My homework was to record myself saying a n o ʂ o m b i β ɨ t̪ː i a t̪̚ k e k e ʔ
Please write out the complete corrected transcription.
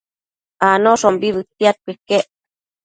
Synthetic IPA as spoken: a n o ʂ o m b i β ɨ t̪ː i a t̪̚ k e k e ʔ